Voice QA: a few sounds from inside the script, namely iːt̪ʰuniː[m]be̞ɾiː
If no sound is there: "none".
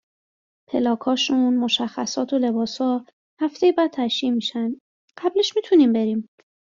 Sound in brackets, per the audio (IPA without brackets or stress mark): m